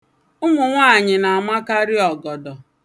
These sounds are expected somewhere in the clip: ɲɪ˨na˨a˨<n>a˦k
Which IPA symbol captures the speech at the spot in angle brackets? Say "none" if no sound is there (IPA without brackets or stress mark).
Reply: m